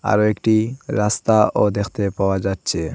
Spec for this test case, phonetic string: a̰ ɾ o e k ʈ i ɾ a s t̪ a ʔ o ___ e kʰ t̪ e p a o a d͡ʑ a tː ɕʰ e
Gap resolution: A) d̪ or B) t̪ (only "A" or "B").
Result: A